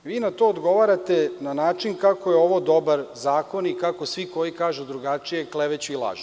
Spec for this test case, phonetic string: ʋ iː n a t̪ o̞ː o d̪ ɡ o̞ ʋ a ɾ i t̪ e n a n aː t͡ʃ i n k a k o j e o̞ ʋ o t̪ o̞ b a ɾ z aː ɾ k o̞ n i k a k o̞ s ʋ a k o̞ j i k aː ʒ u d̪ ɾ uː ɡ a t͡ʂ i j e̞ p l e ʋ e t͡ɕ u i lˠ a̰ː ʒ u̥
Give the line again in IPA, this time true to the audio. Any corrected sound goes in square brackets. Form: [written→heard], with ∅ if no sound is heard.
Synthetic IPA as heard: ʋ iː n a t̪ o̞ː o d̪ ɡ o̞ ʋ a ɾ [i→a] t̪ e n a n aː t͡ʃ i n k a k o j e o̞ ʋ o [t̪→d̪] o̞ b a ɾ z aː [ɾ→∅] k o̞ n i k a k o̞ s ʋ [a→i] k o̞ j i k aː ʒ u d̪ ɾ [uː→u] ɡ a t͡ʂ i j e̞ [p→k] l e ʋ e t͡ɕ u i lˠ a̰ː ʒ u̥